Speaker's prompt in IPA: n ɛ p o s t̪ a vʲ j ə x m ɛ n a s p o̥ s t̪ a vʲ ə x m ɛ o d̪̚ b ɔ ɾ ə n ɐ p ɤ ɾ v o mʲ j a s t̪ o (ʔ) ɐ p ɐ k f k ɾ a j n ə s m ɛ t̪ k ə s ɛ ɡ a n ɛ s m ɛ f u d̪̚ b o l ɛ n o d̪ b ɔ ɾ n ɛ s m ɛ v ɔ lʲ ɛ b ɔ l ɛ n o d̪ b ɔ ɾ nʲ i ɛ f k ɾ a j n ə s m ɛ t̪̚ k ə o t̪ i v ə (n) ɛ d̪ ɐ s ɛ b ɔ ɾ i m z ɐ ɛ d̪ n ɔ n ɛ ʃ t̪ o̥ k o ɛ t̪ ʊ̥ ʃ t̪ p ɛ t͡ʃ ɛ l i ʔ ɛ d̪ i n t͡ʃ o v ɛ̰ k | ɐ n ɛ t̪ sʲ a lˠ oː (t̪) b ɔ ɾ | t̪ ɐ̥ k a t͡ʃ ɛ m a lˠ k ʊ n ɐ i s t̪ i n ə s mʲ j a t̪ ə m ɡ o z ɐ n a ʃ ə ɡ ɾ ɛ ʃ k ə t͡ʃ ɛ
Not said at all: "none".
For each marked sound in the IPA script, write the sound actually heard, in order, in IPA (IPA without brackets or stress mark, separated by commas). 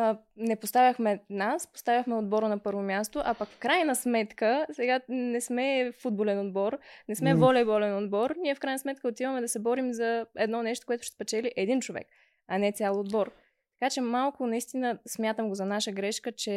ʔ, m, d̪